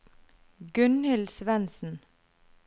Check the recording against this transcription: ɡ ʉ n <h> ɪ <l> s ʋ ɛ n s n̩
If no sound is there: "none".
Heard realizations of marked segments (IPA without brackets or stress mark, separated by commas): h, l